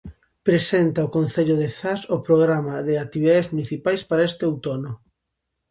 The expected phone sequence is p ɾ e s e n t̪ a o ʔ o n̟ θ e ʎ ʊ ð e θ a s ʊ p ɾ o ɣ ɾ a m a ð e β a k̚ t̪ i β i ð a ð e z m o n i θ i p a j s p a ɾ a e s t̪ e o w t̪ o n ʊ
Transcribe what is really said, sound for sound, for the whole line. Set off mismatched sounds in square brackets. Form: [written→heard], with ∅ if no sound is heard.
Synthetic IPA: p ɾ e s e n t̪ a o [ʔ→k] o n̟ θ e ʎ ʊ ð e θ a s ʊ p ɾ o ɣ ɾ a m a ð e [β→∅] a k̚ t̪ i β i ð a ð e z m [o→u] n i θ i p a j s p a ɾ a e s t̪ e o w t̪ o n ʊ